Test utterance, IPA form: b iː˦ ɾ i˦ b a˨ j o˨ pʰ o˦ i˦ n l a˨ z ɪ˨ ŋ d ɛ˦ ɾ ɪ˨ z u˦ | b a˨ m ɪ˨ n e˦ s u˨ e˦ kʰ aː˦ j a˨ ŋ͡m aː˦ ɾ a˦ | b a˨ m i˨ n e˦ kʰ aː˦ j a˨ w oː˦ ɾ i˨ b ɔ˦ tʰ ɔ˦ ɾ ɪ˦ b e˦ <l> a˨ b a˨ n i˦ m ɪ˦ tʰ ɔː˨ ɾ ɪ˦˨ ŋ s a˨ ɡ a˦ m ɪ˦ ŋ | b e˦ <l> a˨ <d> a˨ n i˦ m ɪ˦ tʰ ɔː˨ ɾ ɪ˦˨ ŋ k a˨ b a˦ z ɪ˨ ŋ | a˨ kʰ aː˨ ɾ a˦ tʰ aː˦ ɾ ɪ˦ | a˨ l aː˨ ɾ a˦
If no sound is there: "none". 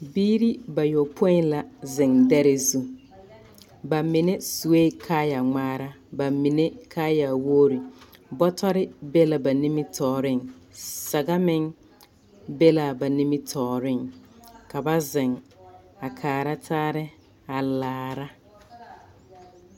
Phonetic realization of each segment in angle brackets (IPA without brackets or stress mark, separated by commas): l, l, b